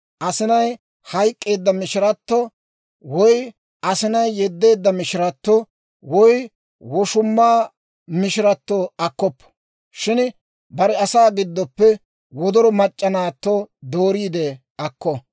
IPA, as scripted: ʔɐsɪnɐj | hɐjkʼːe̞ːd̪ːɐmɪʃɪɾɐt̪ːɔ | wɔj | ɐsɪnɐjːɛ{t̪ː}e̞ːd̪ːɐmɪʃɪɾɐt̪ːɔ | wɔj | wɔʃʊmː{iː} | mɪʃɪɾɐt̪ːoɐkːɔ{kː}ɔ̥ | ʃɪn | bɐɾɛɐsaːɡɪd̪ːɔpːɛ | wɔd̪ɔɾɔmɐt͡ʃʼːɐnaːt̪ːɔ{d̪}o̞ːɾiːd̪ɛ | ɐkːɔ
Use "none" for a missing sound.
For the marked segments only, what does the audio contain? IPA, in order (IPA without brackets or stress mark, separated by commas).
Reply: d̪ː, aː, pː, d̪